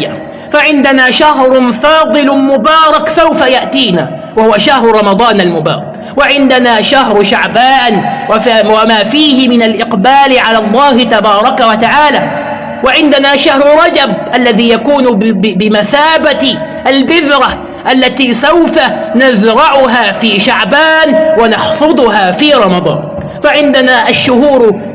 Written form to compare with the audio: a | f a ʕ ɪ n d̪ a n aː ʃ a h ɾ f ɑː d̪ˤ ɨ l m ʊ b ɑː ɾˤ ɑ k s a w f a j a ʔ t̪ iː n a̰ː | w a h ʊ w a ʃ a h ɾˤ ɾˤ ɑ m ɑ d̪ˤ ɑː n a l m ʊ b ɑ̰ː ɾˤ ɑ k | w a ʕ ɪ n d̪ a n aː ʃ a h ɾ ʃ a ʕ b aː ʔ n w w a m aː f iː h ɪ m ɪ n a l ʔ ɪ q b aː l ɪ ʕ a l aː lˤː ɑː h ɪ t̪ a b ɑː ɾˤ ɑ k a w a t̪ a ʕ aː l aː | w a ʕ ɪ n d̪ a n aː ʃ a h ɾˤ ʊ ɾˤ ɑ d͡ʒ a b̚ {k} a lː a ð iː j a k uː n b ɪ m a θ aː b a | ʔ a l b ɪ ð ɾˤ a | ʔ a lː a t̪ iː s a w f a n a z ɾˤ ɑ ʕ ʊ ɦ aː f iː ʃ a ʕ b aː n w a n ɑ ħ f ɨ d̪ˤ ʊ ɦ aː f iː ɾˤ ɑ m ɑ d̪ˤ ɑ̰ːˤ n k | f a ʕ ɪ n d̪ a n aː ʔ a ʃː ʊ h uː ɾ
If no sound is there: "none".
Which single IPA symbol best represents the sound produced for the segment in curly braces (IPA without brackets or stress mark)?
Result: ʔ